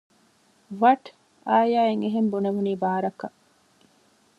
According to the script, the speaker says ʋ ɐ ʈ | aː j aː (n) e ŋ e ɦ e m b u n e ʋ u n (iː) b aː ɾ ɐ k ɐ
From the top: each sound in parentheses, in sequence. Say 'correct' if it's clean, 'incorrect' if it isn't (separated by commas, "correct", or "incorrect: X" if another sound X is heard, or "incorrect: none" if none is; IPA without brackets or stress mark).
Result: incorrect: none, correct